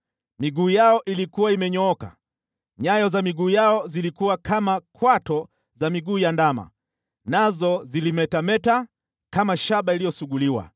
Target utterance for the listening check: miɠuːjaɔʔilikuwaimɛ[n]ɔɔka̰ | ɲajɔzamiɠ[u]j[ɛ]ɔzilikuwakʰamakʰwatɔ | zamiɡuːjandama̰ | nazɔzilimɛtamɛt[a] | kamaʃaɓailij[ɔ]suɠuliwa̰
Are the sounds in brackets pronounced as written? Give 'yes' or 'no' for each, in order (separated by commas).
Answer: no, no, no, yes, yes